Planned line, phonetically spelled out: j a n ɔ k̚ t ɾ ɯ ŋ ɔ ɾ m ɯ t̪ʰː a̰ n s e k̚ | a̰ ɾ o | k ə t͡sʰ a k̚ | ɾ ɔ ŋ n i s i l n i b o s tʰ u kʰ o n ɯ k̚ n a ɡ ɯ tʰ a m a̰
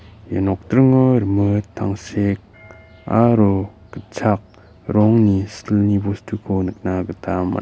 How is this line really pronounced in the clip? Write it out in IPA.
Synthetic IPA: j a n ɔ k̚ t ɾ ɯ ŋ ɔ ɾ m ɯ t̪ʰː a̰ ŋ s e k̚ | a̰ ɾ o | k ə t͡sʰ a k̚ | ɾ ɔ ŋ n i s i l n i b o s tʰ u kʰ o n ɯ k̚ n a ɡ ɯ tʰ a m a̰